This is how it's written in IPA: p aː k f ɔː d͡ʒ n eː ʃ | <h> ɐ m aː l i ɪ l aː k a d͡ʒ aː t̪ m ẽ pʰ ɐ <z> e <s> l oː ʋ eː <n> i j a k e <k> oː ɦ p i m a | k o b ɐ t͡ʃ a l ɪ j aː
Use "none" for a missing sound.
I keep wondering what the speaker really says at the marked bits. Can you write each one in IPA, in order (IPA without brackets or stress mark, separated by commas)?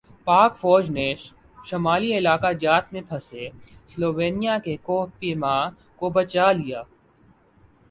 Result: ʃ, s, s, n, k